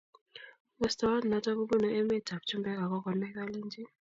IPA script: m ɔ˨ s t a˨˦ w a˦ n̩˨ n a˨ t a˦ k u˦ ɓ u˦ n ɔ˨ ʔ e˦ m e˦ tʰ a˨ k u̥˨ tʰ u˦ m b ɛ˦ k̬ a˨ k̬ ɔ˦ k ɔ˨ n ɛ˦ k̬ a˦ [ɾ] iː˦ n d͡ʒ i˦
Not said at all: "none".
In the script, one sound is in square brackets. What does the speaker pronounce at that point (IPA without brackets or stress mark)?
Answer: l